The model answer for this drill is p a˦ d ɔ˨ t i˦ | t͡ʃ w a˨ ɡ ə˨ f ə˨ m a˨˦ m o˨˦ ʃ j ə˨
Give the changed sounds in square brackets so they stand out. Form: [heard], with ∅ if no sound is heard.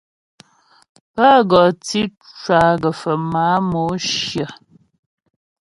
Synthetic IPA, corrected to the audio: p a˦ [ɡ] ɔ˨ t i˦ | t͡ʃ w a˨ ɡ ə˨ f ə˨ m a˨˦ m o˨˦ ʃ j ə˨